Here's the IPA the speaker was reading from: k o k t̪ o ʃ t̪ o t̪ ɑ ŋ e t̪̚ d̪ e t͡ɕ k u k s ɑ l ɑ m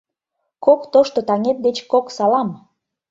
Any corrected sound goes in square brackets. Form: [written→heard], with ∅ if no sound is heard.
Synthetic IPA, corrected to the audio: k o k t̪ o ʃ t̪ o t̪ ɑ ŋ e t̪̚ d̪ e t͡ɕ k [u→o] k s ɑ l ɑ m